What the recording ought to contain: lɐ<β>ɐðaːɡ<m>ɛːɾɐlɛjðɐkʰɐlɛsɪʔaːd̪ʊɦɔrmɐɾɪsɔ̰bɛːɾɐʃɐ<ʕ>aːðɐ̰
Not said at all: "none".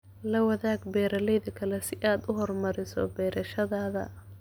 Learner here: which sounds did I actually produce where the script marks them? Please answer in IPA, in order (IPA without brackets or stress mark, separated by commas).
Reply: w, b, ð